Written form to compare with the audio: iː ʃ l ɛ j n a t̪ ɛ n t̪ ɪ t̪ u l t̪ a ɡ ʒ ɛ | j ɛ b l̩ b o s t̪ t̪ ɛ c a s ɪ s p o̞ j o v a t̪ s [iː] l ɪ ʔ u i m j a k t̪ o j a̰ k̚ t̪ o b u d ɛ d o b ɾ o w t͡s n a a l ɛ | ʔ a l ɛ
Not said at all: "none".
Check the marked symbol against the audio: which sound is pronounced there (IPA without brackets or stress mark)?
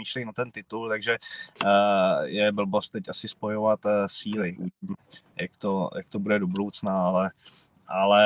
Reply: iː